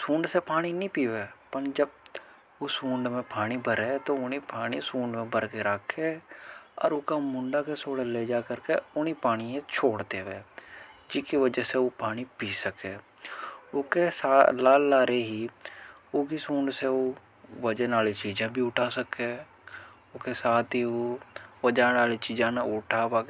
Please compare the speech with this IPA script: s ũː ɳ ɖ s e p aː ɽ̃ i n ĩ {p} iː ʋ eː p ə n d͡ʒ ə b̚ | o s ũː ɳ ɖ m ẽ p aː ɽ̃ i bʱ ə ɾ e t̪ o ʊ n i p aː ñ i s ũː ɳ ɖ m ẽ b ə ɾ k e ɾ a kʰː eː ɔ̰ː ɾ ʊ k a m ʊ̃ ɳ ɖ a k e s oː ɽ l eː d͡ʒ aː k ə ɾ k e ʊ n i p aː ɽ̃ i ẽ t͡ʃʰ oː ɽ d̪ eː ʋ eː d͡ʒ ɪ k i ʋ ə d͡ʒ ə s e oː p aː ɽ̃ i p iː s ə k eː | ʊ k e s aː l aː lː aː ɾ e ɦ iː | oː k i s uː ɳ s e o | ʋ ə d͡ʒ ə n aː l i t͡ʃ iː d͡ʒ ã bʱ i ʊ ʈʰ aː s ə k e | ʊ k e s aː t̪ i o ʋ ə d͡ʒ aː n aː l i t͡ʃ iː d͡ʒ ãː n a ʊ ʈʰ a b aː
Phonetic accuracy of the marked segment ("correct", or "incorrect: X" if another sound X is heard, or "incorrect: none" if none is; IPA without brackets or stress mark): correct